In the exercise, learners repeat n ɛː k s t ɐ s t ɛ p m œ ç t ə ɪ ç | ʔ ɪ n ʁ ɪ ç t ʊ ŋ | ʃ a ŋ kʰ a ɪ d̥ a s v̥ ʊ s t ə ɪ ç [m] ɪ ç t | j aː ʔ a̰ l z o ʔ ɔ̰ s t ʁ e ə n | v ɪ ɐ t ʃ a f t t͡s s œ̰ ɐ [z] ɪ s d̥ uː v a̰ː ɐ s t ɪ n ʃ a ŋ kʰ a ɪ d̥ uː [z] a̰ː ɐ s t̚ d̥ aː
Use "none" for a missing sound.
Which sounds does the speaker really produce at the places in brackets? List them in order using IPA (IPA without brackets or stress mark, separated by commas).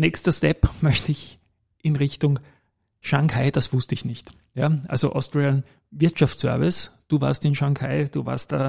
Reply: n, v, v